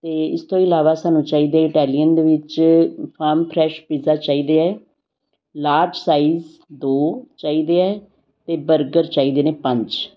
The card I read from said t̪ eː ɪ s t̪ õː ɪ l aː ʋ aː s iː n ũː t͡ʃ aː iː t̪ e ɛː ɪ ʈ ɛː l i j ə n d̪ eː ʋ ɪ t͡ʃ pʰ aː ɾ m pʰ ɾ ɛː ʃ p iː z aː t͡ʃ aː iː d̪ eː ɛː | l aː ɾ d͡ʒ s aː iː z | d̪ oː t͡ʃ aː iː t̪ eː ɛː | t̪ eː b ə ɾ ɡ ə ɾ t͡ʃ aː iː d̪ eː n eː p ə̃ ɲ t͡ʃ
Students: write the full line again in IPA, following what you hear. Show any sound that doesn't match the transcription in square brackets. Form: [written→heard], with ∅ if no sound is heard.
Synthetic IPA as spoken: t̪ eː ɪ s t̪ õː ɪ l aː ʋ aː s [iː→aː] n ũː t͡ʃ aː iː [t̪→d̪] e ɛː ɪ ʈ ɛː l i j ə n d̪ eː ʋ ɪ t͡ʃ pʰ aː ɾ m pʰ ɾ ɛː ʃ p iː z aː t͡ʃ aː iː d̪ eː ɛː | l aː ɾ d͡ʒ s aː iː z | d̪ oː t͡ʃ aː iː [t̪→d̪] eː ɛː | t̪ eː b ə ɾ ɡ ə ɾ t͡ʃ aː iː d̪ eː n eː p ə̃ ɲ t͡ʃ